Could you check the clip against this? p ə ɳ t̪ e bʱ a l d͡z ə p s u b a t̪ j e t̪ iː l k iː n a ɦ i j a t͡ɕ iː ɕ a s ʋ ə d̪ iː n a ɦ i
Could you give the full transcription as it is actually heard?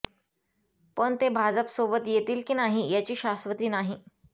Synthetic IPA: p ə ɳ t̪ e bʱ a d͡z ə p s o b ə t̪ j e t̪ iː l k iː n a ɦ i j a t͡ɕ iː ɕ a s ʋ ə t̪ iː n a ɦ i